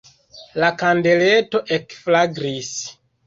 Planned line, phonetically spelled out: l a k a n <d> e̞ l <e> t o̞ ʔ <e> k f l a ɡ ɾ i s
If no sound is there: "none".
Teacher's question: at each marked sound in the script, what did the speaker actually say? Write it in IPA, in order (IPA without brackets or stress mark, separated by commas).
d, e, e